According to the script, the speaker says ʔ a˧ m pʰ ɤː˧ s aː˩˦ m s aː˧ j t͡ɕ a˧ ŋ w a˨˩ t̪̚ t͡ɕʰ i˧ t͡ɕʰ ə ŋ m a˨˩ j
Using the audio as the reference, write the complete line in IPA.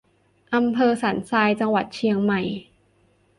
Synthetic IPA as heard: ʔ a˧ m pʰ ɤː˧ s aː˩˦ n s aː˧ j t͡ɕ a˧ ŋ w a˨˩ t̪̚ t͡ɕʰ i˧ ə ŋ m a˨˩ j